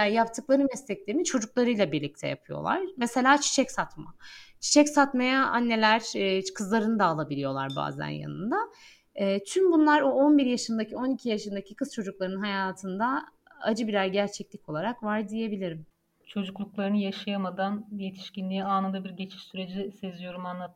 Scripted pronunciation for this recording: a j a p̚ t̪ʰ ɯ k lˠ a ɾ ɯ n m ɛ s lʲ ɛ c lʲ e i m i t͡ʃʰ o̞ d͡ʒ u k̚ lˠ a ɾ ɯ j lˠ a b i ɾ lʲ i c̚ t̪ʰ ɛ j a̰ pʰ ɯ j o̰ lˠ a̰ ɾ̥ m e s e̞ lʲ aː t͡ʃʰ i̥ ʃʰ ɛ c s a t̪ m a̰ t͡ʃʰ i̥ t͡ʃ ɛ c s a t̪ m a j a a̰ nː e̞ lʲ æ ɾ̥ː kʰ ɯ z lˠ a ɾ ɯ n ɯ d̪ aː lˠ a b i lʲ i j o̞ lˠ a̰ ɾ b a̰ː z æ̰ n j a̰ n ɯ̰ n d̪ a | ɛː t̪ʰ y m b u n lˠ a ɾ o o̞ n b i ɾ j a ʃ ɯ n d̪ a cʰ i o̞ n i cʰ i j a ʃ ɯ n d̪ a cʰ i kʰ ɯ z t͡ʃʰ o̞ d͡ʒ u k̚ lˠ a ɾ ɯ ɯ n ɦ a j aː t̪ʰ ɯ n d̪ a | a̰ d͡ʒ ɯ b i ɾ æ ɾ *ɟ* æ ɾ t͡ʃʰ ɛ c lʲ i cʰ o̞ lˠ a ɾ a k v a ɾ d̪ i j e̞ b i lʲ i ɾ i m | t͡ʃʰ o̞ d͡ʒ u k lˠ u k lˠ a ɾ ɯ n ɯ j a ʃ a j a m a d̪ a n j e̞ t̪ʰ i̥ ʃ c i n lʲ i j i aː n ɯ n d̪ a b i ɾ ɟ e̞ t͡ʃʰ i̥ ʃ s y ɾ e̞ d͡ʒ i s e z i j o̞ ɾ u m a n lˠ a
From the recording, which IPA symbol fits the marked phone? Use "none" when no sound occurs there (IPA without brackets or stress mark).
ɟ